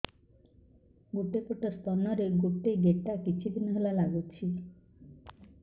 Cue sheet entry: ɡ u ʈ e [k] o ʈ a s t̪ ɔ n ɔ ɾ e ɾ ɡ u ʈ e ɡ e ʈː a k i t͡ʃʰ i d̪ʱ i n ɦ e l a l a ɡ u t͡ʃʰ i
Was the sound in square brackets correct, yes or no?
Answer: no